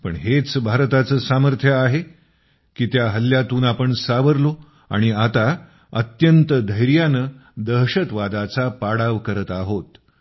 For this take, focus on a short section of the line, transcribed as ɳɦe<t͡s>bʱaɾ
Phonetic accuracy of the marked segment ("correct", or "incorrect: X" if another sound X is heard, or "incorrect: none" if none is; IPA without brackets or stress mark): correct